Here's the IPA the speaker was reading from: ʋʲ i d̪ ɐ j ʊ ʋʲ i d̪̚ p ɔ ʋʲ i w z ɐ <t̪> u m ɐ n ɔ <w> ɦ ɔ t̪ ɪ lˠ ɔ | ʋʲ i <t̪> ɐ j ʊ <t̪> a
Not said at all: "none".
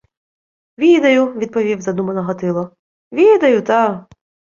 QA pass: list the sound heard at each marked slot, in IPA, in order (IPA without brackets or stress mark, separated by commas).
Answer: d̪, none, d̪, t̪